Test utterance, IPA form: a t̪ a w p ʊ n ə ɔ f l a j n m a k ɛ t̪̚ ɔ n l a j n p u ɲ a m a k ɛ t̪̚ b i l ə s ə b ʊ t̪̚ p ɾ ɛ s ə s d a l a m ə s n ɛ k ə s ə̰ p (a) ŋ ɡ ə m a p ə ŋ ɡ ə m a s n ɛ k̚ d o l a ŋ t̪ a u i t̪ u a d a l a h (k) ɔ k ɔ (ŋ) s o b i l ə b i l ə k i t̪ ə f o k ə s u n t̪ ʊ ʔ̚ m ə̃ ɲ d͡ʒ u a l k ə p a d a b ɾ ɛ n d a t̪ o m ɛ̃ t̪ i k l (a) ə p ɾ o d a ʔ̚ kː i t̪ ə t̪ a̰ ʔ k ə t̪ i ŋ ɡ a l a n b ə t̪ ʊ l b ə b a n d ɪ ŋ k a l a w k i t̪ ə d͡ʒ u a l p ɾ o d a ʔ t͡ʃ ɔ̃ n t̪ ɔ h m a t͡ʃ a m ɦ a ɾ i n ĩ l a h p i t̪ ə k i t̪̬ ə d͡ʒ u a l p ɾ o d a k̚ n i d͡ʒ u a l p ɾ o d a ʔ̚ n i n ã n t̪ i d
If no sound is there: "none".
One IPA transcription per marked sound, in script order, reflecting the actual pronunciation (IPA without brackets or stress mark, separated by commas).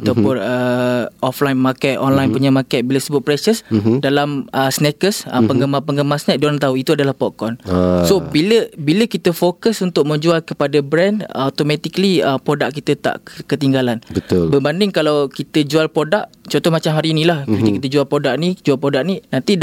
ə, p, n, i